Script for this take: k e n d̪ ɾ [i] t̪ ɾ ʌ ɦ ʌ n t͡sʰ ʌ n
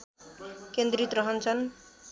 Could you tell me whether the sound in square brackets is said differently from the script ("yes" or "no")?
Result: no